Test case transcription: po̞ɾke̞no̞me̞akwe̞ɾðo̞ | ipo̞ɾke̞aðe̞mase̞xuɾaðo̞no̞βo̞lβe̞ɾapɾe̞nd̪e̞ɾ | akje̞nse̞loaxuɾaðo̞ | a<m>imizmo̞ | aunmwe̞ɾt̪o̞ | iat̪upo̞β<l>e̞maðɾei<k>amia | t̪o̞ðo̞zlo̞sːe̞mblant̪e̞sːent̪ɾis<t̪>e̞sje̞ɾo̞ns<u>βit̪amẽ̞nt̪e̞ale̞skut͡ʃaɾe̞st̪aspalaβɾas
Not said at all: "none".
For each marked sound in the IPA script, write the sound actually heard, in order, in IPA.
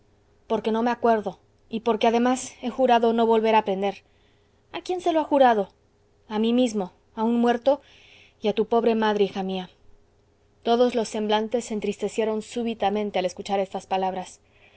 m, ɾ, x, t̪, u

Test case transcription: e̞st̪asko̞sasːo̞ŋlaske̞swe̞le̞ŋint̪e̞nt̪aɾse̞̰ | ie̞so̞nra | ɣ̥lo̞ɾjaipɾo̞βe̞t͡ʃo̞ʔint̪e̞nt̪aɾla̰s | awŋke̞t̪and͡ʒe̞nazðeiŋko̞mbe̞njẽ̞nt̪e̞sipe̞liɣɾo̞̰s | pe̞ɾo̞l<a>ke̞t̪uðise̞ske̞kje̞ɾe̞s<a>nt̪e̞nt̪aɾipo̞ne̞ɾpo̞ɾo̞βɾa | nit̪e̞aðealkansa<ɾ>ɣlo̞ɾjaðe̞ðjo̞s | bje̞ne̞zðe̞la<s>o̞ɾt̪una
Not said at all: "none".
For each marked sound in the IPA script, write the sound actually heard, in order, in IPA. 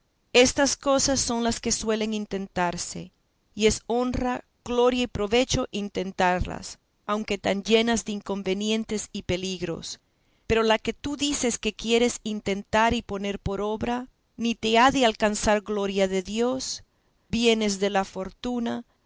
a, i, ɾ, f

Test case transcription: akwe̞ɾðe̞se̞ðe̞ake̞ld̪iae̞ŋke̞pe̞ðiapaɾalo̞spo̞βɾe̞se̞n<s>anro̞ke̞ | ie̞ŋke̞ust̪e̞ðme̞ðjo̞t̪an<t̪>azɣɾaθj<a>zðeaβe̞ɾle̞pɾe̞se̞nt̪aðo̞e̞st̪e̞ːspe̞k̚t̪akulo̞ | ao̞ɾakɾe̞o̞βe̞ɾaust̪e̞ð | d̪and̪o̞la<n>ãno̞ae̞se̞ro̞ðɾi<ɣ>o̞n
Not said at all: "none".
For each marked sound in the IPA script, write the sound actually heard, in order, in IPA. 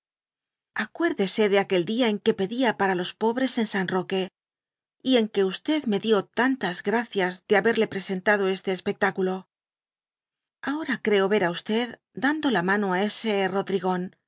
s, t̪, a, m, ɣ

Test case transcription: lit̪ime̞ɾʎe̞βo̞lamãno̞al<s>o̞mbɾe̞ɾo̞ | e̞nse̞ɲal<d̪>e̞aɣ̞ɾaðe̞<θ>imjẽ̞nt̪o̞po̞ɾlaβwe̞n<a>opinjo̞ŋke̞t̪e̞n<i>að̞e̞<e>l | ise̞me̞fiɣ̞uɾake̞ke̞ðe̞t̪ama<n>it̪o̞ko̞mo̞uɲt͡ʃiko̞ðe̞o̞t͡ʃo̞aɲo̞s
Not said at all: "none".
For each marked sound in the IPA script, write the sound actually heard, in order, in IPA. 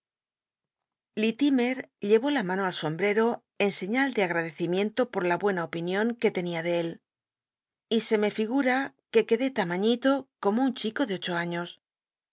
s, d̪, θ, a, i, e, ɲ

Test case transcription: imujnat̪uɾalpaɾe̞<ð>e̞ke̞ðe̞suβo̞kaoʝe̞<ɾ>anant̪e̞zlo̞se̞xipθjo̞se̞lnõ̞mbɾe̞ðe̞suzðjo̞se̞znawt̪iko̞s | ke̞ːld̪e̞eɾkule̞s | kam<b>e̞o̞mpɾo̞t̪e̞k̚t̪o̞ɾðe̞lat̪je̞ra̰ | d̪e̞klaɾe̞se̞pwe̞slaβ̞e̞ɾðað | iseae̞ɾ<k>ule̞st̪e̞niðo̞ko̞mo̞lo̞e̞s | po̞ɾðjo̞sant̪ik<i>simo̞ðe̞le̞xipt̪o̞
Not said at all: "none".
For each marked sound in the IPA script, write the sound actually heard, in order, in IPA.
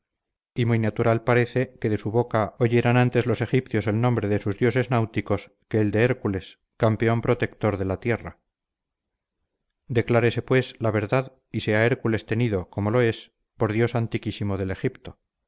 θ, ɾ, p, k, i

